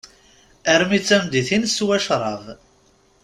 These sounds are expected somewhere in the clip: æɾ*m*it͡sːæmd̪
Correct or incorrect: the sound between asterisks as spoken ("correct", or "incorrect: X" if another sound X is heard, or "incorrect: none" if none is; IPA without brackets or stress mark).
correct